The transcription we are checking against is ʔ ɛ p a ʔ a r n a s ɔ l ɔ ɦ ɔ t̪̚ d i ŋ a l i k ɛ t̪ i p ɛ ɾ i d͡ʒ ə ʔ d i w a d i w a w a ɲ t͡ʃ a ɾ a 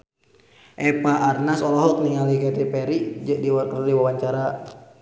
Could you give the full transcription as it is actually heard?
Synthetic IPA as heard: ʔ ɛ p a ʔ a r n a s ɔ l ɔ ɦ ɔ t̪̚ n i ŋ a l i k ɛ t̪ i p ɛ ɾ i d͡ʒ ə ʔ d i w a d i w a w a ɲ t͡ʃ a ɾ a